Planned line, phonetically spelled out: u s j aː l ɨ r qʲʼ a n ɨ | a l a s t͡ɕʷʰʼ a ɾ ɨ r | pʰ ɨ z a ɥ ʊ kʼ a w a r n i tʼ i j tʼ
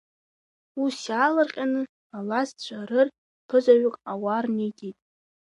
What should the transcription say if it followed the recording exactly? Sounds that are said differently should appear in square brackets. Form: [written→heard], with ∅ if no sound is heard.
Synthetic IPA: u s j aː l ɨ r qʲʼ a n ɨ | a l a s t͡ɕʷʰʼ a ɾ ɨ r | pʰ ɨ z a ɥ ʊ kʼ a w a r n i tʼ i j tʼ